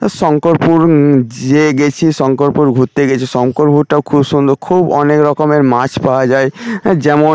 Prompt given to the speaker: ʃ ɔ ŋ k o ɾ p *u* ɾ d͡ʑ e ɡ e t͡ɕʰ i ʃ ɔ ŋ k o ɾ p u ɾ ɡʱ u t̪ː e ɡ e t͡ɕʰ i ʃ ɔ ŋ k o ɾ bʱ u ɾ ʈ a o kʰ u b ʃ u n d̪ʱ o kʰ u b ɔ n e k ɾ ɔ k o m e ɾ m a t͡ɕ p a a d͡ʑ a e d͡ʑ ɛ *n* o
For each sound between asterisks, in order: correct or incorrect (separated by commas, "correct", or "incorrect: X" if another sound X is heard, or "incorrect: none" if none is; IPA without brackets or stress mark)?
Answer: correct, incorrect: m